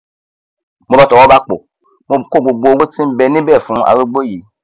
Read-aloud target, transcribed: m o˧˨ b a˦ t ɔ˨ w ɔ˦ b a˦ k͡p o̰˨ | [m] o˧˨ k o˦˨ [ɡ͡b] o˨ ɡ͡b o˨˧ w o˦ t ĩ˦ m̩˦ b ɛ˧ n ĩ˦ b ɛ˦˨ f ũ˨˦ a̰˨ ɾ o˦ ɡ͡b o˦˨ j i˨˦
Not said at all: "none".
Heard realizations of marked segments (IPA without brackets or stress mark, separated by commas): m, ɡ͡b